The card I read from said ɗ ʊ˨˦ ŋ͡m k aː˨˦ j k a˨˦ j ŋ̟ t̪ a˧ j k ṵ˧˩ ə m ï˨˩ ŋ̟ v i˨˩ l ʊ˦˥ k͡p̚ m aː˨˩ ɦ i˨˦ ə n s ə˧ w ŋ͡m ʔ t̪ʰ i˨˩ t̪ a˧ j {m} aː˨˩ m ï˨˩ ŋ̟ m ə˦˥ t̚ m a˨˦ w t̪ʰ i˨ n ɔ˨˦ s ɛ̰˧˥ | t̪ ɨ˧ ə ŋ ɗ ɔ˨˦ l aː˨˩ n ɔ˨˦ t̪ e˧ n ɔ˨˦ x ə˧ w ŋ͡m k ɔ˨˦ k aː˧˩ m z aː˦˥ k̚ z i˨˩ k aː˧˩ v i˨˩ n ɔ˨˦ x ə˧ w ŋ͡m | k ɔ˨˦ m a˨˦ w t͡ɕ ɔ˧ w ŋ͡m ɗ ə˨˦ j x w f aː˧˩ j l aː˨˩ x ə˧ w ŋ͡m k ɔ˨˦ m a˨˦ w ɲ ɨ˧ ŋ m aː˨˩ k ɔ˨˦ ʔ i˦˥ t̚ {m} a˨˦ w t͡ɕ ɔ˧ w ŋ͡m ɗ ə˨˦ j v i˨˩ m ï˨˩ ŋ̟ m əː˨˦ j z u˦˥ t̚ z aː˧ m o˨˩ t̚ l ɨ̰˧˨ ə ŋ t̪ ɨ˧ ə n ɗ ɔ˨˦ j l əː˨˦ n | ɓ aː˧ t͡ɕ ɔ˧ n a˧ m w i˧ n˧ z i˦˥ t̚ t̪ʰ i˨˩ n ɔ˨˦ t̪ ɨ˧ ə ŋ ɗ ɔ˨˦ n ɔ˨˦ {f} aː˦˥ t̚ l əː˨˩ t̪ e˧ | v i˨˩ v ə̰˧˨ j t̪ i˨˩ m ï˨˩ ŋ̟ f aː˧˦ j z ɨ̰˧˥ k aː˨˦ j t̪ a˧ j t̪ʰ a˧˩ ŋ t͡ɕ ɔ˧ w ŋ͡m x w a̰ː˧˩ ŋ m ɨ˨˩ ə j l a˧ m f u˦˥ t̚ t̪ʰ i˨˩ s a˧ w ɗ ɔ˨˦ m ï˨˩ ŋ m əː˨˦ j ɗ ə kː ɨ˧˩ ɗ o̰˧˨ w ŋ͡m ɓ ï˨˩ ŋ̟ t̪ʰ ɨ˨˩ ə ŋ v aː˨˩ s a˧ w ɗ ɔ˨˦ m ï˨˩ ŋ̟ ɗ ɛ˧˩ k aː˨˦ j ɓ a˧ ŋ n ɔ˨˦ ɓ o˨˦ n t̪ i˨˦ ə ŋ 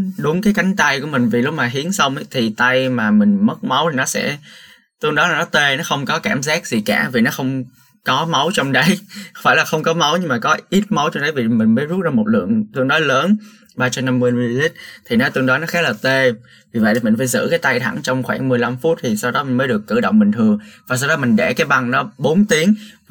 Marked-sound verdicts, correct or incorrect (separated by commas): correct, correct, incorrect